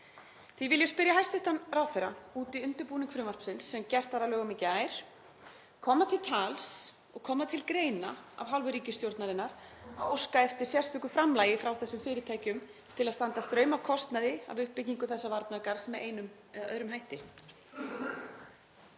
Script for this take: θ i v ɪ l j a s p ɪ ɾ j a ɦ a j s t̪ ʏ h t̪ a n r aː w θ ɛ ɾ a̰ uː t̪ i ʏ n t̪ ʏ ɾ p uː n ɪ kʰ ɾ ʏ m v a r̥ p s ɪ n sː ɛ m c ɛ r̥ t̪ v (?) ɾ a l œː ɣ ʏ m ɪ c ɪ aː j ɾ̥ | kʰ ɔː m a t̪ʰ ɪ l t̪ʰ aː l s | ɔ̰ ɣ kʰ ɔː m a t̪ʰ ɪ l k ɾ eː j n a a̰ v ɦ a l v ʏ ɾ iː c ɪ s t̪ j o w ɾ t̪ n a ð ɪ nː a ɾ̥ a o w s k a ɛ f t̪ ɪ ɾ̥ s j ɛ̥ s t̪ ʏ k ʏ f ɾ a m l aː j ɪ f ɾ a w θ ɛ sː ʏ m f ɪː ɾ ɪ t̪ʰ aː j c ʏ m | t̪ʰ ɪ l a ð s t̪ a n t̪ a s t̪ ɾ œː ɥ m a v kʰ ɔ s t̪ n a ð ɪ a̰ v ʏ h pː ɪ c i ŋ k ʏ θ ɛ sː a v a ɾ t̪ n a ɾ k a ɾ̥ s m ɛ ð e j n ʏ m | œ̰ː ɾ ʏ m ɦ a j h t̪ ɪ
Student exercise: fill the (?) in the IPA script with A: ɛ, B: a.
B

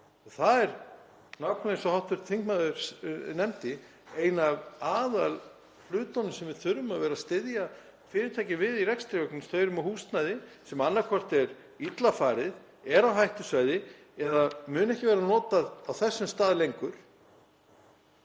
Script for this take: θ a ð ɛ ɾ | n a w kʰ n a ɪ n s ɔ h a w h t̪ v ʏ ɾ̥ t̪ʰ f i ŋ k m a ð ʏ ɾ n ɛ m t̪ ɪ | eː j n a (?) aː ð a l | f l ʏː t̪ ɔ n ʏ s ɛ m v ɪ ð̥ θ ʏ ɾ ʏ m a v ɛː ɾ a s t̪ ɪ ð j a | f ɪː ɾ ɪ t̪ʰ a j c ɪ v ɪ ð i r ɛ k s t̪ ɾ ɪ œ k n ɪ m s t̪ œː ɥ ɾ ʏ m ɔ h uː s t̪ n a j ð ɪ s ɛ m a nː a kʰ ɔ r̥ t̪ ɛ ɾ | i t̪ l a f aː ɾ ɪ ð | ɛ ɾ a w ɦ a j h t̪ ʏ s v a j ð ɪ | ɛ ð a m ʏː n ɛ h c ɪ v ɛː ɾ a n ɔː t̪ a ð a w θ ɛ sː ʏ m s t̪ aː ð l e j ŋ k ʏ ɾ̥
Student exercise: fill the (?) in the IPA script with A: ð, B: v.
B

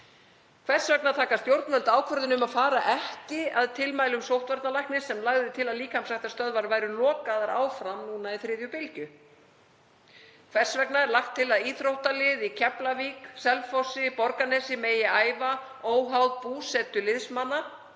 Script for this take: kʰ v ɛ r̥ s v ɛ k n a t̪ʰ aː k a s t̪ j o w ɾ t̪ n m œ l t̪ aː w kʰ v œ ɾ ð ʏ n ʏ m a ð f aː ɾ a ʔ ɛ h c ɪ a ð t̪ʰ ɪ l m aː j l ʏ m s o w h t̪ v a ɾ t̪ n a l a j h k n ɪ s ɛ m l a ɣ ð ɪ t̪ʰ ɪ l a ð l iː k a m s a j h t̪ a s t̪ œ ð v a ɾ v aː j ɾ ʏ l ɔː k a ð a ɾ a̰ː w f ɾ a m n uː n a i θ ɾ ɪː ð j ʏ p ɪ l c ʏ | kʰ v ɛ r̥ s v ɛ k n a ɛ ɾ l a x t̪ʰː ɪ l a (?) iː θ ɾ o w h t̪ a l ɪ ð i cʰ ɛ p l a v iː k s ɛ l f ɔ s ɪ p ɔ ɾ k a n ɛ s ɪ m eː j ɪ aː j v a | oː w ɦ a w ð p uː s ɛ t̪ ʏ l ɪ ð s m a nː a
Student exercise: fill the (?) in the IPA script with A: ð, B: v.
A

